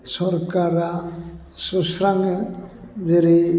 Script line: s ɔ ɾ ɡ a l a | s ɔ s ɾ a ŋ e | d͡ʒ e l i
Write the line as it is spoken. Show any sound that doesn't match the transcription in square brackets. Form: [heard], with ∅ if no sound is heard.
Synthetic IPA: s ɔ ɾ [k] a [ɾ] a | s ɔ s ɾ a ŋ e | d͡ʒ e [ɾ] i